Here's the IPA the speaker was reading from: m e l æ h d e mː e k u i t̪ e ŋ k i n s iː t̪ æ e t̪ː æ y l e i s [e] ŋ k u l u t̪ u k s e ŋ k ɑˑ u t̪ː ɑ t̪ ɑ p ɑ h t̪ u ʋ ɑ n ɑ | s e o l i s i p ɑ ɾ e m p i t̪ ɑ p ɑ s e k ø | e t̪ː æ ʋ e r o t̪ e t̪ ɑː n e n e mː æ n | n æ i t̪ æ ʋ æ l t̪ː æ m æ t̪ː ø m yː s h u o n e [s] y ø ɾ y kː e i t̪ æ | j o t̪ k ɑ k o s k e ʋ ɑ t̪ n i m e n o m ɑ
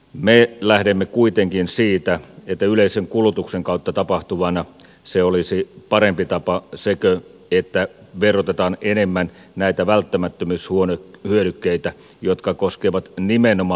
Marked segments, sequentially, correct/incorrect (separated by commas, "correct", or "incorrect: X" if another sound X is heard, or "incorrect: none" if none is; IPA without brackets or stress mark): correct, incorrect: h